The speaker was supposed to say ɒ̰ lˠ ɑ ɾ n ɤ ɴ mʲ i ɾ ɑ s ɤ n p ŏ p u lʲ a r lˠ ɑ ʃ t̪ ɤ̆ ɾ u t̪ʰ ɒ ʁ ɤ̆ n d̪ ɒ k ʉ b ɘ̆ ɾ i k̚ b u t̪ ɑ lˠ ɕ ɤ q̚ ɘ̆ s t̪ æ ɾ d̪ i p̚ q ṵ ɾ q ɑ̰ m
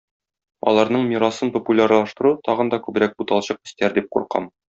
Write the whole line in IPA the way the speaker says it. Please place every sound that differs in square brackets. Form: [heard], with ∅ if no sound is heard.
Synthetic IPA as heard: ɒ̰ lˠ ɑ ɾ n ɤ ɴ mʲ i ɾ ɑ s ɤ n p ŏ p u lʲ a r lˠ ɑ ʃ t̪ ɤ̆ ɾ u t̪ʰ ɒ ʁ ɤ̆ n d̪ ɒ k ʉ b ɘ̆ ɾ [æ] k̚ b u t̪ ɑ lˠ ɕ ɤ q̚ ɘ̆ s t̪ æ ɾ d̪ i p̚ q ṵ ɾ q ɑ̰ m